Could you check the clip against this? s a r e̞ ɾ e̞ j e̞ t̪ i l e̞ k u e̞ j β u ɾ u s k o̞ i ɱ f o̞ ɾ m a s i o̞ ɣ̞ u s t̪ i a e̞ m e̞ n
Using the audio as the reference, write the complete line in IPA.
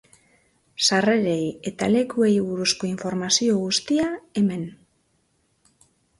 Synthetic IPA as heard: s a r e̞ ɾ e̞ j e̞ t̪ a l e̞ k u e̞ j β u ɾ u s k o̞ i ɱ f o̞ ɾ m a s i o̞ ɣ̞ u s t̪ i a e̞ m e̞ n